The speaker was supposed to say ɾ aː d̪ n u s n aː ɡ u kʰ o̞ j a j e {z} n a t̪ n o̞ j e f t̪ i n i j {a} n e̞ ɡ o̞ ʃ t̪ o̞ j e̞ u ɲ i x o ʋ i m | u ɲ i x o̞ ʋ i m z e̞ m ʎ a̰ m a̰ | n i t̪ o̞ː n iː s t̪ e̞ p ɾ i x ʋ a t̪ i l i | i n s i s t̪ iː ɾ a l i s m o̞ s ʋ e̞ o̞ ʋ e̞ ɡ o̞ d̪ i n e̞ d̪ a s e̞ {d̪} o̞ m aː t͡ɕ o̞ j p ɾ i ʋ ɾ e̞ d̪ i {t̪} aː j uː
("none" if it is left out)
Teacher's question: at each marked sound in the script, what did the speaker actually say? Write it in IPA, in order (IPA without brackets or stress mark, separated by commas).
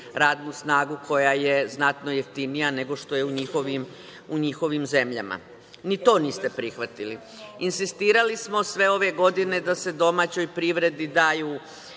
z, a, d̪, d̪